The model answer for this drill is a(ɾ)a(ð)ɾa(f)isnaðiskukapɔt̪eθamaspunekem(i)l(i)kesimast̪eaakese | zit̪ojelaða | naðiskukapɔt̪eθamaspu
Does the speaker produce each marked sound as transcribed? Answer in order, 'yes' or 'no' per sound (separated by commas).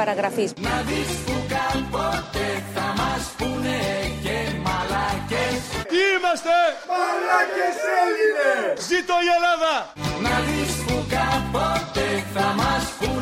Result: yes, no, yes, no, no